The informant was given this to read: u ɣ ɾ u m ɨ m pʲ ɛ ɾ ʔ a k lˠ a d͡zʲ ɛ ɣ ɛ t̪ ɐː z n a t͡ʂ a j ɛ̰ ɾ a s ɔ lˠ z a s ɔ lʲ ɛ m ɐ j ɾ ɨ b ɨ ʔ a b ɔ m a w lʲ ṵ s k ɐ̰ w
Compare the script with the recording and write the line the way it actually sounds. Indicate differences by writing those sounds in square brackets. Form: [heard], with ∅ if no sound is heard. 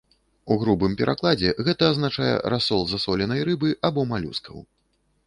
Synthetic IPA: u ɣ ɾ u [b] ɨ m pʲ ɛ ɾ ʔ a k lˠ a d͡zʲ ɛ ɣ ɛ t̪ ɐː z n a t͡ʂ a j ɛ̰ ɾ a s ɔ lˠ z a s ɔ lʲ ɛ [n] ɐ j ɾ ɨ b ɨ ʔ a b ɔ m a [∅] lʲ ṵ s k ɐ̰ w